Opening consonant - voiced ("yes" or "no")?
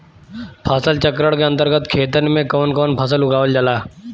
no